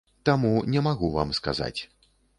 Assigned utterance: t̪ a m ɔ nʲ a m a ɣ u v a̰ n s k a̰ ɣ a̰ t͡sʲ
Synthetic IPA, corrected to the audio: t̪ a m u nʲ ɛ m a ɣ u v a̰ m s k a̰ z a̰ t͡sʲ